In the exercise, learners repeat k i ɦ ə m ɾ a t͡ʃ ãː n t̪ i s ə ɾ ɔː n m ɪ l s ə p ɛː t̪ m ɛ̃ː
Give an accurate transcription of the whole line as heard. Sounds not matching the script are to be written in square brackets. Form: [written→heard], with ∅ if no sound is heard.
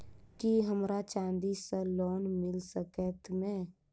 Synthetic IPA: k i ɦ ə m ɾ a t͡ʃ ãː n [t̪→d̪] i s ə [ɾ→l] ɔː n m ɪ l s ə [p→k] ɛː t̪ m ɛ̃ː

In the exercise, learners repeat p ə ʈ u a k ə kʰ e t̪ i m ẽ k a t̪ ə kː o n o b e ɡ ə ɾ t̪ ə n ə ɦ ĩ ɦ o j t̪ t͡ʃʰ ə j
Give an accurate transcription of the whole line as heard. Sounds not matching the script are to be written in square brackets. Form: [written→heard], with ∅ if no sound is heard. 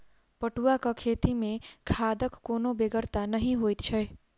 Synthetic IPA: p ə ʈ u a k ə kʰ e t̪ i m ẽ [k→kʰ] a [t̪→d̪] ə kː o n o b e ɡ ə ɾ t̪ [ə→a] n ə ɦ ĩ ɦ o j t̪ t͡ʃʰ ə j

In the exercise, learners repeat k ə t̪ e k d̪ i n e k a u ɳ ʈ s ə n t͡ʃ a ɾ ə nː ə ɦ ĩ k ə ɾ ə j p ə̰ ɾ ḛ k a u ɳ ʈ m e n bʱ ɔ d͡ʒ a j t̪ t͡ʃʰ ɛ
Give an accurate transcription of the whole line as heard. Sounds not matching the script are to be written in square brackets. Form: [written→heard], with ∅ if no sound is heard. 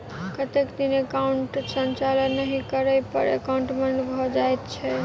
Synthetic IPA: k ə t̪ e k d̪ i n e k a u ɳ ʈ s ə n t͡ʃ a [ɾ→l] ə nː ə ɦ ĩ k ə ɾ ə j p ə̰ ɾ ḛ k a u ɳ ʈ m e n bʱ ɔ d͡ʒ a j t̪ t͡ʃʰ ɛ

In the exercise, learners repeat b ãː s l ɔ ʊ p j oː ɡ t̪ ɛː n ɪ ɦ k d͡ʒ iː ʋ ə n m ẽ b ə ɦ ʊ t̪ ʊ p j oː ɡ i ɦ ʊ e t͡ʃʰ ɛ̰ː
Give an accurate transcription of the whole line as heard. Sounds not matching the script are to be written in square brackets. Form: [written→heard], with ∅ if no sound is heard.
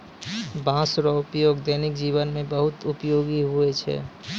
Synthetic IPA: b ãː s [l→ɾ] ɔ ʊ p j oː ɡ [t̪→d̪] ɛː n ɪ [ɦ→∅] k d͡ʒ iː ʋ ə n m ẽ b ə ɦ ʊ t̪ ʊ p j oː ɡ i ɦ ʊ e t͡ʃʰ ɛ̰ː

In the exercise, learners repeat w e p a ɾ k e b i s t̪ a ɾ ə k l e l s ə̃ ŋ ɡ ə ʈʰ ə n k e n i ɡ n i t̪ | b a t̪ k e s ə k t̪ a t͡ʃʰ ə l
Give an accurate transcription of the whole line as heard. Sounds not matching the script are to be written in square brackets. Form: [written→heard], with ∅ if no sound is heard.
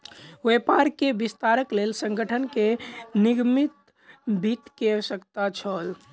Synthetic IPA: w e p a ɾ k e b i s t̪ a ɾ ə k l e l s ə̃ ŋ ɡ ə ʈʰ ə n k e n i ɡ [n→m] i t̪ | b [a→i] t̪ k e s ə k t̪ a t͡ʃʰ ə l

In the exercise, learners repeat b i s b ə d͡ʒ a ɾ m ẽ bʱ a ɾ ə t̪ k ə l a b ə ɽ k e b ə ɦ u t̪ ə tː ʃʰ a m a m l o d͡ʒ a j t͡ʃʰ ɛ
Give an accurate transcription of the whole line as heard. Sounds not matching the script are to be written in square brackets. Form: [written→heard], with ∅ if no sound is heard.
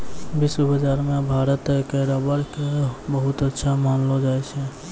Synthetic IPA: b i s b ə d͡ʒ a ɾ m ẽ bʱ a ɾ ə t̪ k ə [l→ɾ] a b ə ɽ k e b ə ɦ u t̪ ə tː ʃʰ a m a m l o d͡ʒ a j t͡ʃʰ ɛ

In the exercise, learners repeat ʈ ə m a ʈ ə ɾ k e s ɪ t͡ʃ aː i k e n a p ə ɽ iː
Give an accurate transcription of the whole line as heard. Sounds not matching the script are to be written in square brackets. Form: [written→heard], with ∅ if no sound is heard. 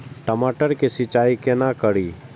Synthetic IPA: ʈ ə m a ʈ ə ɾ k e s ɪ t͡ʃ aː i k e n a [p→k] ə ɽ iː

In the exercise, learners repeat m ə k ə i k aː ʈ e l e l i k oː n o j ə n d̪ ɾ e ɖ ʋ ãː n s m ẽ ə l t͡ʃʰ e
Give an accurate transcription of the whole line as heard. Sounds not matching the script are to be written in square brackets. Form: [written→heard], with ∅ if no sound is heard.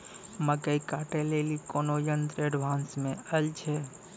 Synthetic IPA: m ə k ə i k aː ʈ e l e l i k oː n o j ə n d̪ ɾ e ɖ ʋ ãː n s m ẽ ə l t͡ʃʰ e

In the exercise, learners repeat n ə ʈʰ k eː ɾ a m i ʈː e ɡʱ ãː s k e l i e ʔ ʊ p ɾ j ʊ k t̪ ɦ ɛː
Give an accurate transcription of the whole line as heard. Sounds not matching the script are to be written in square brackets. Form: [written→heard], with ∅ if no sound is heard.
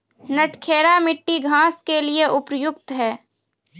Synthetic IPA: n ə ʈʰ [k→kʰ] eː ɾ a m [i→ɪ] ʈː [e→i] ɡʱ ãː s k e l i e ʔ ʊ p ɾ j ʊ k t̪ ɦ ɛː

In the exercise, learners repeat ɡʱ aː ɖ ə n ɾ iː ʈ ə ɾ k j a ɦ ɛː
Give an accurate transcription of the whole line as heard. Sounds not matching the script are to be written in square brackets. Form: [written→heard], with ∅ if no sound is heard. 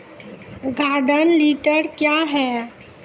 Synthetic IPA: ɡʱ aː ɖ ə n [ɾ→l] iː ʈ ə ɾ k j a ɦ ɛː

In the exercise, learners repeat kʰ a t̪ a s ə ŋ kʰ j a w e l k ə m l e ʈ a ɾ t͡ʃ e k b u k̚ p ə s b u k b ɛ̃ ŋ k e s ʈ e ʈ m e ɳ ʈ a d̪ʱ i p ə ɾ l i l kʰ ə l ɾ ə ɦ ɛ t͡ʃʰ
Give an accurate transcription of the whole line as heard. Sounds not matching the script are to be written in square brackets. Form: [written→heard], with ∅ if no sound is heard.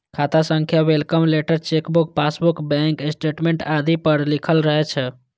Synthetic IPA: kʰ a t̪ a s ə ŋ kʰ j a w e l k ə m l e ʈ [a→ə] ɾ t͡ʃ e k b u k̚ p [ə→a] s b u k b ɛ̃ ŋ k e s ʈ e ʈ m e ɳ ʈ a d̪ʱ i p ə ɾ l i [l→∅] kʰ ə l ɾ ə ɦ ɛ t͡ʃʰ

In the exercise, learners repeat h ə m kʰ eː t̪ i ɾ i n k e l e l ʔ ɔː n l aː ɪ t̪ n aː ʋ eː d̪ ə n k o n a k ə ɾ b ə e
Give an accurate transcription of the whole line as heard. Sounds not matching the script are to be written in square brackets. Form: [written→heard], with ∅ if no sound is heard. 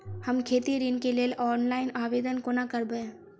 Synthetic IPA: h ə m kʰ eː t̪ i ɾ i n k e l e l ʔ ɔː n l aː ɪ [t̪→∅] n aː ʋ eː d̪ ə n k o n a k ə ɾ b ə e

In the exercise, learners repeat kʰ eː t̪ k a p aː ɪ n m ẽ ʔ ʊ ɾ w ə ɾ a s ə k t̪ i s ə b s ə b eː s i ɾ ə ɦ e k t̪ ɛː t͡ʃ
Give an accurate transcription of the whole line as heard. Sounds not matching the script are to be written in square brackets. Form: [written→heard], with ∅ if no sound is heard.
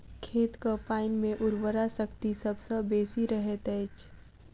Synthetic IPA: kʰ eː t̪ k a p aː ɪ n m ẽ ʔ ʊ ɾ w ə ɾ a s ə k t̪ i s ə b s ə b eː s i ɾ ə ɦ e [k→∅] t̪ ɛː t͡ʃ

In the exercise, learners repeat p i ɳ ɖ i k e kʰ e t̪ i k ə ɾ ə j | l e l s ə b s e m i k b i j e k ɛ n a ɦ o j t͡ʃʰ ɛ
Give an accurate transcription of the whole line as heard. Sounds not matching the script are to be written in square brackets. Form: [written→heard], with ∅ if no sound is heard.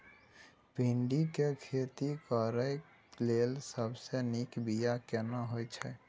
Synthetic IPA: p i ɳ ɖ i k e kʰ e t̪ i k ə ɾ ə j | l e l s ə b s e [m→n] i k b i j [e→a] k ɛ n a ɦ o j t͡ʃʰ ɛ

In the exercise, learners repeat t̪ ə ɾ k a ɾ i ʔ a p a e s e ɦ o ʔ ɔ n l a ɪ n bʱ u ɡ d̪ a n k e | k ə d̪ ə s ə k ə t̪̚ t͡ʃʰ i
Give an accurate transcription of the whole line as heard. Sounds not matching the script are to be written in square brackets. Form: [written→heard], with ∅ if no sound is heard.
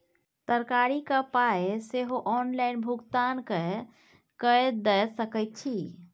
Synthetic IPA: t̪ ə ɾ k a ɾ i [ʔ→k] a p a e s e ɦ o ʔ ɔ n l a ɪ n bʱ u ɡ [d̪→t̪] a n k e | k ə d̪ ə s ə k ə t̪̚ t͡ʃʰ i

